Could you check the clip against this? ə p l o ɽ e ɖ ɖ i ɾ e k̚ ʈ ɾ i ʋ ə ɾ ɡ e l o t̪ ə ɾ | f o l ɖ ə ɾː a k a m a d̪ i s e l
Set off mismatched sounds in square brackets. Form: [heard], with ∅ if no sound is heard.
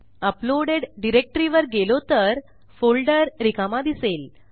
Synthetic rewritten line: ə p l o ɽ e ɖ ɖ i ɾ e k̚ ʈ ɾ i ʋ ə ɾ ɡ e l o t̪ ə ɾ | f o l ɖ ə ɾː [i] k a m a d̪ i s e l